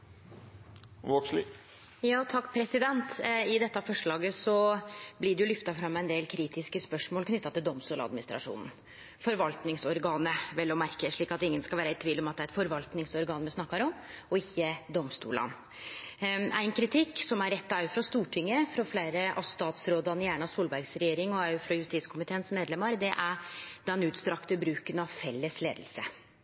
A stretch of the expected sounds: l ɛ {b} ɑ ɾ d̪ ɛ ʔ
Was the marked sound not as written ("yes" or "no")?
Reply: yes